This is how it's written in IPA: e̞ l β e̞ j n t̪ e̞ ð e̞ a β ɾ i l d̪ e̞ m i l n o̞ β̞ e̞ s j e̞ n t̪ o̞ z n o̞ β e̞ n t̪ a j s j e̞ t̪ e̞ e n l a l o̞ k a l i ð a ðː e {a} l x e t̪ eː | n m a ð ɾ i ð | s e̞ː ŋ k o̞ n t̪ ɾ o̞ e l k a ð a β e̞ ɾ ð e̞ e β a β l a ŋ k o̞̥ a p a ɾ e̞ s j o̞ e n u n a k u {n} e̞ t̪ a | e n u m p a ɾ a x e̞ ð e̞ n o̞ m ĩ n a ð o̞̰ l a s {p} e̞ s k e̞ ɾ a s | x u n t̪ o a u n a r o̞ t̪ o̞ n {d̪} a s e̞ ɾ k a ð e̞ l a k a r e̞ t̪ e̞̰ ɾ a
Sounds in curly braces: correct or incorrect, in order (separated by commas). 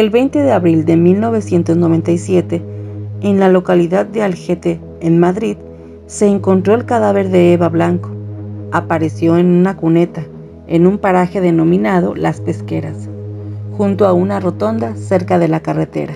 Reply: correct, correct, correct, correct